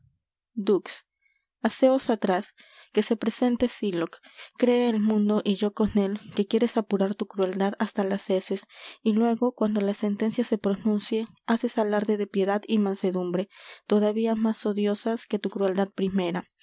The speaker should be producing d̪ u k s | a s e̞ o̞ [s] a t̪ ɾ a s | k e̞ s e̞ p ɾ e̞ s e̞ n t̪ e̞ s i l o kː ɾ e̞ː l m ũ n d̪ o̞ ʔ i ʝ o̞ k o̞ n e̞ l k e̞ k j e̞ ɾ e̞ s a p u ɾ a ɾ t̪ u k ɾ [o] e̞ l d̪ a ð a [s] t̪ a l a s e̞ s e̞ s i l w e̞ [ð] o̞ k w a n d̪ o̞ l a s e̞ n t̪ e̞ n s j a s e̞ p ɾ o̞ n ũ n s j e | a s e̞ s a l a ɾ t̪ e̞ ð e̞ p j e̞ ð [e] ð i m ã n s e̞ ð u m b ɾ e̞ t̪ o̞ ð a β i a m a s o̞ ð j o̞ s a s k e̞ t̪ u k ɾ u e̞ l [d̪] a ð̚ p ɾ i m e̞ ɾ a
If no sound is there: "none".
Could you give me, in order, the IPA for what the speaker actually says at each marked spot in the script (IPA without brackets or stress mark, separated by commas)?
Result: s, u, s, ɣ, a, d̪